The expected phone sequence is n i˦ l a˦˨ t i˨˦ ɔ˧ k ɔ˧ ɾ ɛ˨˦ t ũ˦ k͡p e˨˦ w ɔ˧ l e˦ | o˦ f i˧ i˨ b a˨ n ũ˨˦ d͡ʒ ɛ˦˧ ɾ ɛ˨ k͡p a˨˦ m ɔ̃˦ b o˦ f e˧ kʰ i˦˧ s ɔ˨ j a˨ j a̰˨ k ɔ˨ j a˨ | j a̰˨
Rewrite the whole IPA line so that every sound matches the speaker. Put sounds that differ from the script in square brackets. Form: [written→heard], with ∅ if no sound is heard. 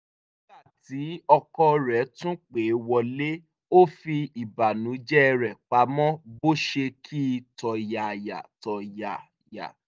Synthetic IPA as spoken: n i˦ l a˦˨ t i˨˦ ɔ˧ k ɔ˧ ɾ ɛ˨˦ t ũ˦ k͡p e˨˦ w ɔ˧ l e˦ | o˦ f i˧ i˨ b a˨ n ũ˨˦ d͡ʒ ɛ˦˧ ɾ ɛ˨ k͡p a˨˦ m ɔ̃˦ b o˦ [f→ʃ] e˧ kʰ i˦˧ [s→t] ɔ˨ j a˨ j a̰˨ [k→t] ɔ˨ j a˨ | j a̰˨